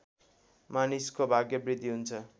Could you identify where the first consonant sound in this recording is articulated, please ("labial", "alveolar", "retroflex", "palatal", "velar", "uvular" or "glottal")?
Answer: labial